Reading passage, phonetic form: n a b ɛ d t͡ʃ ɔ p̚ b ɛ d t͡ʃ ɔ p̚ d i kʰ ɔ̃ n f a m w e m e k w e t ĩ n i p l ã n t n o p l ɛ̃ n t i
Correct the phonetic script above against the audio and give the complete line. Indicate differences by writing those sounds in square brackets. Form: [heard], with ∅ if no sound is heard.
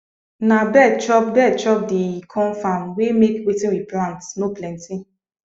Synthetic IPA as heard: n a b ɛ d t͡ʃ ɔ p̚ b ɛ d t͡ʃ ɔ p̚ d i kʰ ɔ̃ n f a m w e m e k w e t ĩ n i p l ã n t n o p l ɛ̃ n t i